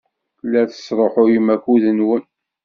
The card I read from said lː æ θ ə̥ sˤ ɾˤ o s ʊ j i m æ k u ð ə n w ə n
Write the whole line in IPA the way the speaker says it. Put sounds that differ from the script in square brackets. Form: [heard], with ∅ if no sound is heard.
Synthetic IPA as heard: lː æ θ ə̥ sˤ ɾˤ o [ħ] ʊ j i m æ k u ð ə n w ə n